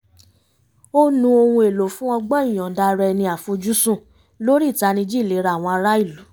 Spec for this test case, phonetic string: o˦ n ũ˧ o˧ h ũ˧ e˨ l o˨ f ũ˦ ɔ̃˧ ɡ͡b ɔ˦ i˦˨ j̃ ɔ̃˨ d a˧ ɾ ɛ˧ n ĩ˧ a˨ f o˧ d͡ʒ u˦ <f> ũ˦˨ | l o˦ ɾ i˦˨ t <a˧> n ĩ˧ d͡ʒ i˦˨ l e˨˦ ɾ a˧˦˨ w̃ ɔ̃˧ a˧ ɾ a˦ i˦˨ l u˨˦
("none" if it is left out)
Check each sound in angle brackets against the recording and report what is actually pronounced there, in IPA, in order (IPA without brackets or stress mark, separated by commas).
s, a˧